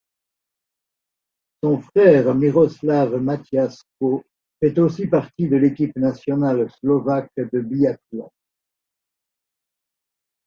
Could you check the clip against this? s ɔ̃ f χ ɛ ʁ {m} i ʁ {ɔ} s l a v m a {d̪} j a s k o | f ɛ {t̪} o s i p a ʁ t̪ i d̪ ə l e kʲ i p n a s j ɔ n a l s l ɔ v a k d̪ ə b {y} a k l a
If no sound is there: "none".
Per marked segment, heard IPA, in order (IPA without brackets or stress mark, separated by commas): m, ɔ, t̪, t̪, i